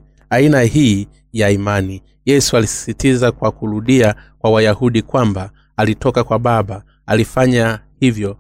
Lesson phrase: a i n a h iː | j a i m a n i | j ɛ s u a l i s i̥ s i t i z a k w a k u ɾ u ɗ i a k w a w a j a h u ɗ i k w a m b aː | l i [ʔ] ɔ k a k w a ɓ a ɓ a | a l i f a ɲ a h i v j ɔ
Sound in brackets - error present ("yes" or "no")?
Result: yes